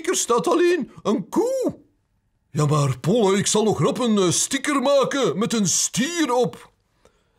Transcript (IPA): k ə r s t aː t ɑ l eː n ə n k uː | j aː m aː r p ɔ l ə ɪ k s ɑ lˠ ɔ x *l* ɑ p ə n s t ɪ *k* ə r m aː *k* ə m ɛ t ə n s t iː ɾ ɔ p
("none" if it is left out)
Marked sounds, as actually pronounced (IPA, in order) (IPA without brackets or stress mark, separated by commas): r, k, k